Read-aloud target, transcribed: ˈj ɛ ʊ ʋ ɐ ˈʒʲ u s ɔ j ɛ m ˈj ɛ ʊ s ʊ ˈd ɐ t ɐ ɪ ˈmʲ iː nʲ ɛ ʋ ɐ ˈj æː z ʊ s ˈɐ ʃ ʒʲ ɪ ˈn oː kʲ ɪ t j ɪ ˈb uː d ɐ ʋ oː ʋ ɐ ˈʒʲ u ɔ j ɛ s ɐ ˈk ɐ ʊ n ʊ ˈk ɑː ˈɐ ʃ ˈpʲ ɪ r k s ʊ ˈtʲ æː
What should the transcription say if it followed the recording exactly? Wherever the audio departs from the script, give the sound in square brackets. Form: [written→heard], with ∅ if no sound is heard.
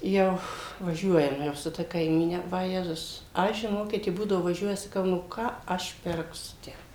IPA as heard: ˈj ɛ ʊ ʋ ɐ ˈʒʲ u [s→∅] ɔ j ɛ m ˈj ɛ ʊ s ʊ [ˈd→ˈt] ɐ [t→k] ɐ ɪ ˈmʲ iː nʲ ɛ ʋ ɐ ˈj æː z ʊ s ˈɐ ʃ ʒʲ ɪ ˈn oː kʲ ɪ t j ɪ ˈb uː d ɐ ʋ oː ʋ ɐ ˈʒʲ u ɔ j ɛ s ɐ ˈk ɐ ʊ n ʊ ˈk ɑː ˈɐ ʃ ˈpʲ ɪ r k s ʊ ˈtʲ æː